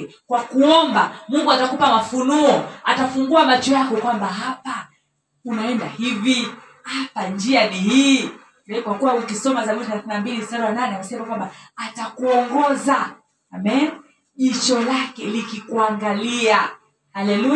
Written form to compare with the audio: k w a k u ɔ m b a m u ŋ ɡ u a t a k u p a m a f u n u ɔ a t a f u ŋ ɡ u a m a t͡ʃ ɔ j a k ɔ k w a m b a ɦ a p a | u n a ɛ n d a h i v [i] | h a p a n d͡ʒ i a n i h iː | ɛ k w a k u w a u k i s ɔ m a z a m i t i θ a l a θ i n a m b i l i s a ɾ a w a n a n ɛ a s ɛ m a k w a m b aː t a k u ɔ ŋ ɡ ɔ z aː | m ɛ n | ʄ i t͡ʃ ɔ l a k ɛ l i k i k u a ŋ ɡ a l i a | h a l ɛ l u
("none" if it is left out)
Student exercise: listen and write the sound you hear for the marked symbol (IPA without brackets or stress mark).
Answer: i